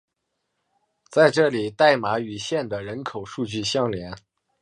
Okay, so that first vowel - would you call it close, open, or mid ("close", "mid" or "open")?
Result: open